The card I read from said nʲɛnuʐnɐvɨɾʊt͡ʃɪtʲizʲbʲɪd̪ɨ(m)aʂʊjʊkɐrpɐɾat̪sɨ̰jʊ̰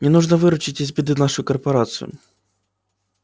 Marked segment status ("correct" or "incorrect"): incorrect